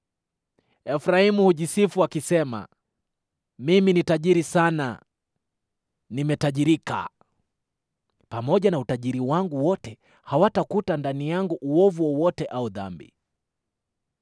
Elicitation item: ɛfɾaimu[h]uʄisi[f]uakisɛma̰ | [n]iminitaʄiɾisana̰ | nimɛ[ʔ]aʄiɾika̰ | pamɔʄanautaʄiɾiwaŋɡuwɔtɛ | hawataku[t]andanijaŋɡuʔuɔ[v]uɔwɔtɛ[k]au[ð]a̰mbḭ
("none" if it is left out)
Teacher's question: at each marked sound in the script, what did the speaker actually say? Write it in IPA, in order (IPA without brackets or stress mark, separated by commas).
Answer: h, f, m, t, t, v, ʔ, ð